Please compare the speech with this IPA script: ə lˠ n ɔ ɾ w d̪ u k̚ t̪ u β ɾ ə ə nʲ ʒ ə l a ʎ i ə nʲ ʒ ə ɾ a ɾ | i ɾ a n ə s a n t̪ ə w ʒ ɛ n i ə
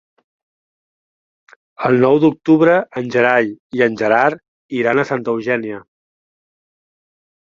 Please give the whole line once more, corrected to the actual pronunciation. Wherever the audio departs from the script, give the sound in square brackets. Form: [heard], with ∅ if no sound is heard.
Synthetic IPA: ə lˠ n ɔ [∅] w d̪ u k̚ t̪ u β ɾ ə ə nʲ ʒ ə [ɾ] a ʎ i ə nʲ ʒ ə ɾ a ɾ | i ɾ a n ə s a n t̪ ə w ʒ ɛ n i ə